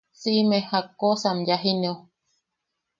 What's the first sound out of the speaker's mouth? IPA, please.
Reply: s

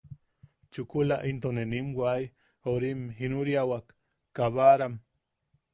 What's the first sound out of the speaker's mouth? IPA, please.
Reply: t͡ʃ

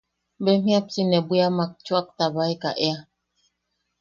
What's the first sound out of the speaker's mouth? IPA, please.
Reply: b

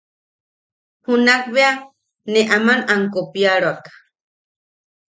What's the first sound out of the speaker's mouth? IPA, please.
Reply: h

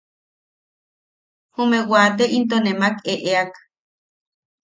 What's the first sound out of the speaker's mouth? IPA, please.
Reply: h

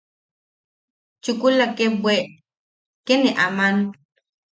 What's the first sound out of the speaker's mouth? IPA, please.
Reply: t͡ʃ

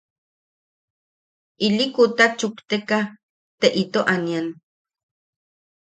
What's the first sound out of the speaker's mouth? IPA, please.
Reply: i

